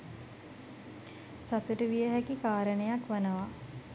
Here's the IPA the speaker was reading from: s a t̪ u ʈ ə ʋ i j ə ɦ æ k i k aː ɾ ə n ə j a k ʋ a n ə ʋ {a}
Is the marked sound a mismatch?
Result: no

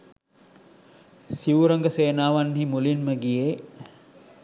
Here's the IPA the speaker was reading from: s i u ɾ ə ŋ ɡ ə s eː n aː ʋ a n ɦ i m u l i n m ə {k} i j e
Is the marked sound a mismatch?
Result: yes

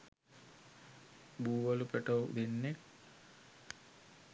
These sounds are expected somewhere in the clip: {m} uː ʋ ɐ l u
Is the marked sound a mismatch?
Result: yes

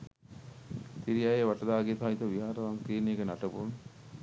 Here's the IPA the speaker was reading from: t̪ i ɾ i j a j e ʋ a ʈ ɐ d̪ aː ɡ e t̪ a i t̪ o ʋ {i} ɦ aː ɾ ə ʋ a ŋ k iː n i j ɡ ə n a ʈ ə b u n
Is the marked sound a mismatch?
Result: no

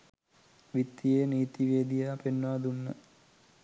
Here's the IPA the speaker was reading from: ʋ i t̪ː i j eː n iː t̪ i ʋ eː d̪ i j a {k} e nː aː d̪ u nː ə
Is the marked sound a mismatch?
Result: yes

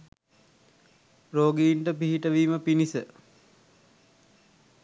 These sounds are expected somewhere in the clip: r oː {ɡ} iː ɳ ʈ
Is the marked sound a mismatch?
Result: no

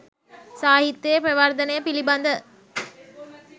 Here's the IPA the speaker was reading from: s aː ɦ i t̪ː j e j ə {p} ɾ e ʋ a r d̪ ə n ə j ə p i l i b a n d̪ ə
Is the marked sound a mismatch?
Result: no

